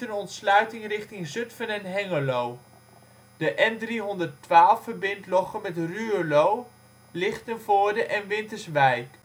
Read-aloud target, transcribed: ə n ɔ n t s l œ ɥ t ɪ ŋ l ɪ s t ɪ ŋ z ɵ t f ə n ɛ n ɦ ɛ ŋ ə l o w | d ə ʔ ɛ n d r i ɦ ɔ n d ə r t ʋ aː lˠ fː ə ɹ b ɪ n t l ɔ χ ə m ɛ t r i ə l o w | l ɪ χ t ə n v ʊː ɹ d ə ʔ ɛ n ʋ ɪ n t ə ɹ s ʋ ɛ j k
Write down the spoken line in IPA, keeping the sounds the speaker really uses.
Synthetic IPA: ə n ɔ n t s l œ ɥ t ɪ ŋ r ɪ χ t ɪ ŋ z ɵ t f ə n ɛ n ɦ ɛ ŋ ə l o w | d ə ʔ ɛ n d r i ɦ ɔ n d ə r t ʋ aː lˠ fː ə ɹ b ɪ n t l ɔ χ ə m ɛ t r y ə l o w | l ɪ χ t ə n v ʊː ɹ d ə ʔ ɛ n ʋ ɪ n t ə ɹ s ʋ ɛ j k